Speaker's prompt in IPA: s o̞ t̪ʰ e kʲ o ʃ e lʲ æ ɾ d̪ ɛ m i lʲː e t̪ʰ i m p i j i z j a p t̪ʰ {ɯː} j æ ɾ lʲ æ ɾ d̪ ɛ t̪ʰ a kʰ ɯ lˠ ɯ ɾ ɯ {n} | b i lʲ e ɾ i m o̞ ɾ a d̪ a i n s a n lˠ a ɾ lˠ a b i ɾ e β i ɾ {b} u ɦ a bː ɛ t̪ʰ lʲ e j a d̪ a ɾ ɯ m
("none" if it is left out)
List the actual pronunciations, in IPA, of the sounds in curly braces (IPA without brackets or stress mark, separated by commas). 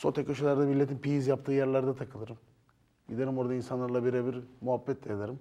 ɯː, m, m